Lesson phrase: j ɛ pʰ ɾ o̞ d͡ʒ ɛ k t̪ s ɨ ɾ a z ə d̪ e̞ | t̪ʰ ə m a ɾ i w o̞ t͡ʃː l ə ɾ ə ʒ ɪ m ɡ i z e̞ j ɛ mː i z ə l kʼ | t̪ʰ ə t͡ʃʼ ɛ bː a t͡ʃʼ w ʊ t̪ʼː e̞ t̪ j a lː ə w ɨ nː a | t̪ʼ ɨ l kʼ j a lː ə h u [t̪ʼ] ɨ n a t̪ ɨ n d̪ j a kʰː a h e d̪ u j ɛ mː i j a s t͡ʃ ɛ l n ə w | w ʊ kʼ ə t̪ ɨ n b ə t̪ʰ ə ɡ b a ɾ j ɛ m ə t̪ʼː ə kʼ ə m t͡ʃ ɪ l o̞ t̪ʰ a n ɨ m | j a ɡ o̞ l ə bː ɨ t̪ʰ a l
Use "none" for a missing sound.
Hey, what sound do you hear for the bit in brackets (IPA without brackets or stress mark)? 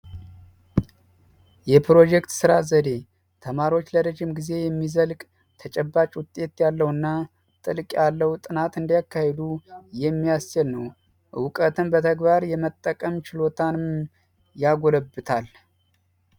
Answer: t̪ʼ